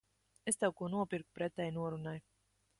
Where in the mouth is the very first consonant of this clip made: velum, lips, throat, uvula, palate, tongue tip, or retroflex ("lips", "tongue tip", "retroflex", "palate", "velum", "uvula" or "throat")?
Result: tongue tip